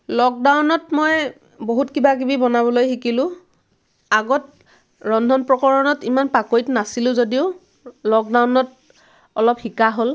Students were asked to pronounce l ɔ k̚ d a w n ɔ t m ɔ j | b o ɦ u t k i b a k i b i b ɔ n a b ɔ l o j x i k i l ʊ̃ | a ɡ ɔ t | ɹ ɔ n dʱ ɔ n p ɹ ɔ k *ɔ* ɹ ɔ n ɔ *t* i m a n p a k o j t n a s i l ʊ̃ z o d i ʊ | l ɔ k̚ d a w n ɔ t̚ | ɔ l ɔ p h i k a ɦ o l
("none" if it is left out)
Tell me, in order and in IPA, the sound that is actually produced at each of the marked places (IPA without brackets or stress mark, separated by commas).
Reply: ɔ, t